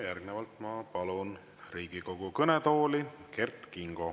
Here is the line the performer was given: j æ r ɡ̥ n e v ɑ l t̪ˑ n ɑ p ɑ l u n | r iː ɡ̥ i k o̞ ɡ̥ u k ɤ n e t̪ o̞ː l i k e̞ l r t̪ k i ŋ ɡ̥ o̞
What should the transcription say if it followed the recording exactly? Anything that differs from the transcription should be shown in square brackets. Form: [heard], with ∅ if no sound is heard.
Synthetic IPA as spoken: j æ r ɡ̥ n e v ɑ l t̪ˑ [m] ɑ p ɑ l u n | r iː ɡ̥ i k o̞ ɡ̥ u k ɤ n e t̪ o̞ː l i k e̞ [∅] r t̪ k i ŋ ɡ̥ o̞